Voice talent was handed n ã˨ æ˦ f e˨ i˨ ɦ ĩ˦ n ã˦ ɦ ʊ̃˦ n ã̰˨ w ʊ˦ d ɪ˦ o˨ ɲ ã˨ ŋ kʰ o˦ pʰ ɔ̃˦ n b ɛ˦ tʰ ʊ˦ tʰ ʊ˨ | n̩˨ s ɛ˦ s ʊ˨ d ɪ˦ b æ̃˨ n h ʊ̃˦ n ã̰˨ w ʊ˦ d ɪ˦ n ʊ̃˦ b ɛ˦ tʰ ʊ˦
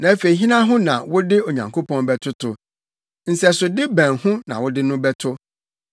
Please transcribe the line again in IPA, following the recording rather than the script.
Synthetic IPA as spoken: n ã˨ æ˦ f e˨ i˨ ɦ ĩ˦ n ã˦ ɦ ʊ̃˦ n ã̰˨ w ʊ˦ d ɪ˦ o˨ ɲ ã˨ ŋ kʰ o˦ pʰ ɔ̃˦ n b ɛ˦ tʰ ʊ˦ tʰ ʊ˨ | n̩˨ s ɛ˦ s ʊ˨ d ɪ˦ b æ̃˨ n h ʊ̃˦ n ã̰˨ w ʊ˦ d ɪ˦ n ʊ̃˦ b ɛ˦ tʰ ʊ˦

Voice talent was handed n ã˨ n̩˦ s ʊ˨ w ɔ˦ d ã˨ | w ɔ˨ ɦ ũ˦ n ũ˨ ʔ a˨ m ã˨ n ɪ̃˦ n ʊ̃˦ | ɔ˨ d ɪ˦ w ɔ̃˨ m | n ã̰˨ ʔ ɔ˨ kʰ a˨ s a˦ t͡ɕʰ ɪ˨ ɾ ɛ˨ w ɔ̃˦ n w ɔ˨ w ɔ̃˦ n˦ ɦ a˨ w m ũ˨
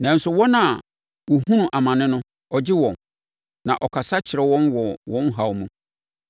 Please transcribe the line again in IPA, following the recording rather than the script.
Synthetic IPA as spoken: n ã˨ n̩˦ s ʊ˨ w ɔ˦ n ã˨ | w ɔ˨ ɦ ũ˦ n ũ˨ ʔ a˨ m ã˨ n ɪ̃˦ n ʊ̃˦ | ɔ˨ d͡ʑ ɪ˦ w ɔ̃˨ n | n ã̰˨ ʔ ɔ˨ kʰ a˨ s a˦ t͡ɕʰ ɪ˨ ɾ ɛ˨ w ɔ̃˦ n w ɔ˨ w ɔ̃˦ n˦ ɦ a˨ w m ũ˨

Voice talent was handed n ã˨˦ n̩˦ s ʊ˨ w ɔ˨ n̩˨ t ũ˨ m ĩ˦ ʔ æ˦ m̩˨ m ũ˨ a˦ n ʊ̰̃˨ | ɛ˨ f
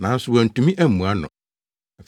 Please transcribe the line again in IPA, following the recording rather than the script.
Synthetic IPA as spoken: n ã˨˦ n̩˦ s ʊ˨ w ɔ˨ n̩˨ t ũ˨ m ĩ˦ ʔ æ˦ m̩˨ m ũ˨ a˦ n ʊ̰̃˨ | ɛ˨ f

